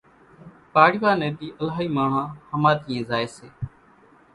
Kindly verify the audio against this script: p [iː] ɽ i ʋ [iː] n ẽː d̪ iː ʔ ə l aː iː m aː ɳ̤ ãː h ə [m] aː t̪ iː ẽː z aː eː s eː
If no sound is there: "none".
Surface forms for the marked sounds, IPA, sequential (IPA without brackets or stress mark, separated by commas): aː, aː, m